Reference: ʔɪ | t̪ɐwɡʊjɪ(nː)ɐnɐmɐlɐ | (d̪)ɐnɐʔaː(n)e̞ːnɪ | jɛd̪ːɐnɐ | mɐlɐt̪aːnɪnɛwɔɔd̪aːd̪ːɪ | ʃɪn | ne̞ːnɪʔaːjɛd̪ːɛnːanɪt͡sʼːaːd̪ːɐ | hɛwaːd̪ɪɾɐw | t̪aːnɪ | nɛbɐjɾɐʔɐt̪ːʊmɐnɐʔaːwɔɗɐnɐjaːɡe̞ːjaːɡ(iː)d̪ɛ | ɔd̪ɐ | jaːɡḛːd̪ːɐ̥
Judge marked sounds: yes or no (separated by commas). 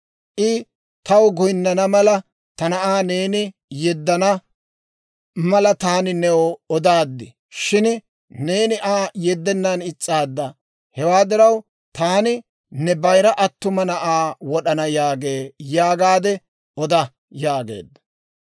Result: yes, no, yes, no